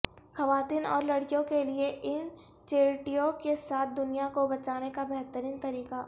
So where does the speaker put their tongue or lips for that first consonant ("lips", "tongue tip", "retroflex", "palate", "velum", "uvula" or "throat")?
velum